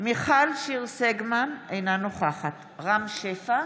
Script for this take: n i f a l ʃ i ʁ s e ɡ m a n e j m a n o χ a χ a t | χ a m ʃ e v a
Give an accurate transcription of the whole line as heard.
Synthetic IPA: m i χ a l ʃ i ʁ s e ɡ m a n e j n a n o χ a χ a t | ʁ a m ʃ e f a